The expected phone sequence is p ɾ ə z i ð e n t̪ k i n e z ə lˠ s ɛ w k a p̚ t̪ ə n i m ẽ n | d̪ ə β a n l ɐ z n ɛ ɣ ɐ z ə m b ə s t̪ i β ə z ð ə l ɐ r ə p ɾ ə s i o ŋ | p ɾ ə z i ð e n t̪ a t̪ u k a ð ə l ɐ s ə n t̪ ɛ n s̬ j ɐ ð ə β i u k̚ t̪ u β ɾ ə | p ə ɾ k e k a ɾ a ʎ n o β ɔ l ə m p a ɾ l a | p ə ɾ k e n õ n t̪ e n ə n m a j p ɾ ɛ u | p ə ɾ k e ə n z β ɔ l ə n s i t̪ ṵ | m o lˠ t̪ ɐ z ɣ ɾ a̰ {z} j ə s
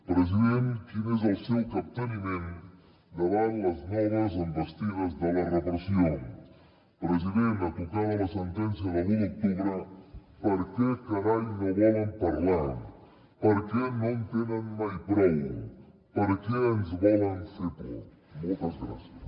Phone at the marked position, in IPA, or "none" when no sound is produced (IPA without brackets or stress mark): s